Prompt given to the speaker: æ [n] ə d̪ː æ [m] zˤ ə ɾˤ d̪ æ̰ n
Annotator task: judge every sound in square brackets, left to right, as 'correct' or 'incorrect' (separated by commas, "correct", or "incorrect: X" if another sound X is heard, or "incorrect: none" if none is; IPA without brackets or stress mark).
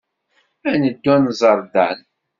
correct, incorrect: n